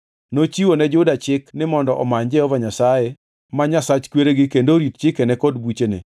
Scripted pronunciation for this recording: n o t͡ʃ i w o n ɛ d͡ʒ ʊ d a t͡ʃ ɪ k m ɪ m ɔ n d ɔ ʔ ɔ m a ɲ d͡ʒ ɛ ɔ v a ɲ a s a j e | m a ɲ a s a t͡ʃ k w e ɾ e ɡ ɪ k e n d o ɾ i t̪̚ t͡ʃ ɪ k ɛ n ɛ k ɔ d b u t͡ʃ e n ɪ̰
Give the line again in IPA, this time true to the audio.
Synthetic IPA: n o t͡ʃ i w o n ɛ d͡ʒ ʊ d a t͡ʃ ɪ k n ɪ m ɔ n d ɔ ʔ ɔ m a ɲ d͡ʒ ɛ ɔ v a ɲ a s a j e | m a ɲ a s a t͡ʃ k w e ɾ e ɡ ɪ k e n d o ɾ i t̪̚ t͡ʃ ɪ k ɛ n ɛ k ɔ d b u t͡ʃ e n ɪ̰